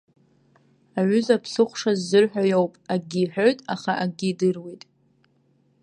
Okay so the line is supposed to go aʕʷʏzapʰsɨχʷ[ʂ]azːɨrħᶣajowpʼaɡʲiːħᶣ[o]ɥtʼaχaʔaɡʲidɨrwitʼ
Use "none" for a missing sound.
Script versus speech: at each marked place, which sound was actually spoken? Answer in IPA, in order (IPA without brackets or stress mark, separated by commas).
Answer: ʂ, o